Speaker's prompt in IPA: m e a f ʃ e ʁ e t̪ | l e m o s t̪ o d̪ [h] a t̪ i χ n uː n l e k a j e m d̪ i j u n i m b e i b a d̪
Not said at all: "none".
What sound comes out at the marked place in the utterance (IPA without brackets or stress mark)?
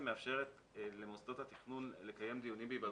h